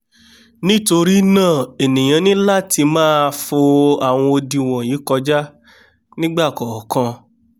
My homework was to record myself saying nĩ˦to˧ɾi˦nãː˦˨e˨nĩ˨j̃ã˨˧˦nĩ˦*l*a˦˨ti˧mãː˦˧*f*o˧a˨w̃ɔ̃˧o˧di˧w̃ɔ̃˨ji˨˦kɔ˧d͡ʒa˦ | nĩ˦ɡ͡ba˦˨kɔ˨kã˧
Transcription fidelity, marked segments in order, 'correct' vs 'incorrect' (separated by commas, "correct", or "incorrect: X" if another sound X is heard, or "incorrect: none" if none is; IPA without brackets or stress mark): correct, correct